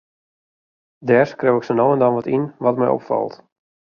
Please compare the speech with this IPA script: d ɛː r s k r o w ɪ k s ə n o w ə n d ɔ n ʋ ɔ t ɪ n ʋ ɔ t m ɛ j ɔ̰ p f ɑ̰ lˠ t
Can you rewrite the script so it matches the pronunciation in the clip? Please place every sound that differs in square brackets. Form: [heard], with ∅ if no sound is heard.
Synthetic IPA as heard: d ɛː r s k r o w ɪ k s ə n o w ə n d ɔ n ʋ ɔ t [i] n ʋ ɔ t m ɛ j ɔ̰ p f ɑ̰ lˠ t